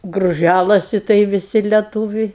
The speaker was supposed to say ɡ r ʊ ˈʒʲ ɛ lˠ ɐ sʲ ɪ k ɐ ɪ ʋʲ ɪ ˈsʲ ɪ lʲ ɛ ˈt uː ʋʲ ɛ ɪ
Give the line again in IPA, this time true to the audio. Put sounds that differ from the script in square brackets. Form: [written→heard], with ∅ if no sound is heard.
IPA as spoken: ɡ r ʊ ˈʒʲ [ɛ→æ] lˠ ɐ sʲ ɪ [k→t] ɐ ɪ ʋʲ ɪ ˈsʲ ɪ lʲ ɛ ˈt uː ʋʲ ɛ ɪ

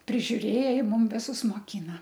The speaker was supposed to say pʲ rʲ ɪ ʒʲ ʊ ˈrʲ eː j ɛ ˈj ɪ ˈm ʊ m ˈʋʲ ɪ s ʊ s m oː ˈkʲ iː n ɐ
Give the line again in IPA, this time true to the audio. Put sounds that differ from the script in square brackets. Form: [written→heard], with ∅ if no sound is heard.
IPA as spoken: pʲ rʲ ɪ ʒʲ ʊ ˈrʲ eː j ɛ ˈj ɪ ˈm ʊ m ˈʋʲ ɪ s ʊ s m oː ˈkʲ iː n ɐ

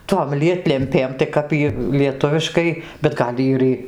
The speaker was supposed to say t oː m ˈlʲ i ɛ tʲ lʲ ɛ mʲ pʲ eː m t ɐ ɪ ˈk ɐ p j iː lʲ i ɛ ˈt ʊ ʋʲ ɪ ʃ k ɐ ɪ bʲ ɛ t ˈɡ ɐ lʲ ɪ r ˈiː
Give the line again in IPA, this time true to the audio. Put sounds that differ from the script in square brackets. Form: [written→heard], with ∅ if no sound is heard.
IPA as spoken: t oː m ˈlʲ i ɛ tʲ lʲ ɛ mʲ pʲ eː m t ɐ ɪ ˈk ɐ p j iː lʲ i ɛ ˈt ʊ ʋʲ ɪ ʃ k ɐ ɪ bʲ ɛ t ˈɡ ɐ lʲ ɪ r ˈiː

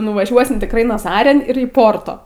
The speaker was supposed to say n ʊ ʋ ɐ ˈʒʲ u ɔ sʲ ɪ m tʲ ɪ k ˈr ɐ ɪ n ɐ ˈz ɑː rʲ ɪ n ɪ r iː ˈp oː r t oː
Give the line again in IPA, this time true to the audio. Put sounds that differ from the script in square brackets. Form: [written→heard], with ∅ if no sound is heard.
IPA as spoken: n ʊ ʋ ɐ ˈʒʲ u ɔ sʲ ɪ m tʲ ɪ k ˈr ɐ ɪ n ɐ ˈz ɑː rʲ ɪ n ɪ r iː ˈp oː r t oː

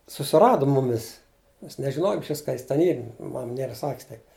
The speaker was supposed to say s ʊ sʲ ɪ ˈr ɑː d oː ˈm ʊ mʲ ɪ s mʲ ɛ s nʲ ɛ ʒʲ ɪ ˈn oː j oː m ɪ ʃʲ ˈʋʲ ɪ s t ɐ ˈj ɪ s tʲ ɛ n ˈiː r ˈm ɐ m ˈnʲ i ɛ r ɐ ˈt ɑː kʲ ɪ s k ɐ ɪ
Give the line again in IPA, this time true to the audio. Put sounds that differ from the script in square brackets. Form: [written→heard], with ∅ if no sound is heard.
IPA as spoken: s ʊ sʲ ɪ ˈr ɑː d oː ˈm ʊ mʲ ɪ s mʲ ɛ s nʲ ɛ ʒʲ ɪ ˈn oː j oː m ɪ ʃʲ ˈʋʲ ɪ s [t→k] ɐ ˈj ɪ s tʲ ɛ n ˈiː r ˈm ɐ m ˈnʲ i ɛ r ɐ [ˈt→ˈs] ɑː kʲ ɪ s [k→t] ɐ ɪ

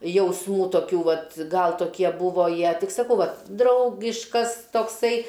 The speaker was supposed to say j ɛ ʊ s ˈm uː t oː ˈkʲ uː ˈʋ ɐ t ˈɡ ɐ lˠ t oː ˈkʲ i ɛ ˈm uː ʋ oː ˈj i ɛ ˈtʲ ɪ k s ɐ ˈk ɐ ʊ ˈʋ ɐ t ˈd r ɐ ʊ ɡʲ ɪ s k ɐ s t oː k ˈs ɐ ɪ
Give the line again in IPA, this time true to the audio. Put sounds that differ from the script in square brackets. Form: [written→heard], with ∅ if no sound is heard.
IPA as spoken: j ɛ ʊ s ˈm uː t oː ˈkʲ uː ˈʋ ɐ t ˈɡ ɐ lˠ t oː ˈkʲ i ɛ [ˈm→ˈb] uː ʋ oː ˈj i ɛ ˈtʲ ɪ k s ɐ ˈk ɐ ʊ ˈʋ ɐ t ˈd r ɐ ʊ ɡʲ ɪ [s→ʃ] k ɐ s t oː k ˈs ɐ ɪ

